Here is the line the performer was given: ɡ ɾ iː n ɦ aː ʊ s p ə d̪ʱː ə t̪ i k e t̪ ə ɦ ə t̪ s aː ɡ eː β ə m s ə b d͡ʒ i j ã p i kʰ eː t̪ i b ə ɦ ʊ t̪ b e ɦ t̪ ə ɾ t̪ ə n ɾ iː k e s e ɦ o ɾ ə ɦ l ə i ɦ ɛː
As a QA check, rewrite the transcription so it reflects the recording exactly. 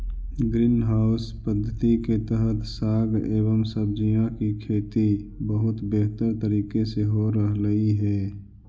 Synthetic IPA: ɡ ɾ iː n ɦ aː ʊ s p ə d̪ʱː ə t̪ i k e t̪ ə ɦ ə t̪ s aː ɡ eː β ə m s ə b d͡ʒ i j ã k i kʰ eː t̪ i b ə ɦ ʊ t̪ b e ɦ t̪ ə ɾ t̪ ə ɾ iː k e s e ɦ o ɾ ə ɦ l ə i ɦ ɛː